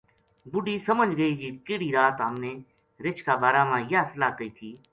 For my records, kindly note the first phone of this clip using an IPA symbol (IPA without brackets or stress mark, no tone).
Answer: b